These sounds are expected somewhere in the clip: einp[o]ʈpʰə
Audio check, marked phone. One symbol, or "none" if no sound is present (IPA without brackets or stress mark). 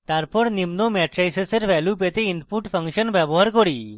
u